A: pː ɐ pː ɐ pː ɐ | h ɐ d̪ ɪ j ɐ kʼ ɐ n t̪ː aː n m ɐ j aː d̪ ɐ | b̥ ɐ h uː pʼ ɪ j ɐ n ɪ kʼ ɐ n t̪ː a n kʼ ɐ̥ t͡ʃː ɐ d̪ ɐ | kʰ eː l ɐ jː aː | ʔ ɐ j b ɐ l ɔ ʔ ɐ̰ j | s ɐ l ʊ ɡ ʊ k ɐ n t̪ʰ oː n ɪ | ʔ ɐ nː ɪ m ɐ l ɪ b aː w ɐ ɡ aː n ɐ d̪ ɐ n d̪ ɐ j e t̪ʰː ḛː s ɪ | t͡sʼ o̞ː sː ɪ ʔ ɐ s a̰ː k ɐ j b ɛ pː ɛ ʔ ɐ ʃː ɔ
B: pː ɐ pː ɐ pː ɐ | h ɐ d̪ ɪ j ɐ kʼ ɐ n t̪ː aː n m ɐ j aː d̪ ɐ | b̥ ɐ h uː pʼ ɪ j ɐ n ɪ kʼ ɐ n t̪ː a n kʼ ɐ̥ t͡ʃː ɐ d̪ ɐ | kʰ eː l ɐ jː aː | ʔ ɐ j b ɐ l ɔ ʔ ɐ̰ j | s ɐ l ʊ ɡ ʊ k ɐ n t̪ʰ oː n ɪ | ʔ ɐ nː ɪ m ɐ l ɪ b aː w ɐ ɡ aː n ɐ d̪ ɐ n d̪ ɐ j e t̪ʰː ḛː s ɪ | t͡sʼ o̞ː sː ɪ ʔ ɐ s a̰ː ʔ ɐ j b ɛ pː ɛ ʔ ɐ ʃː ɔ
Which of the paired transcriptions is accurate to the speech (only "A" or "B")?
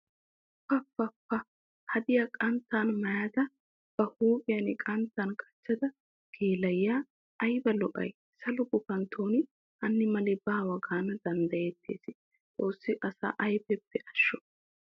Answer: B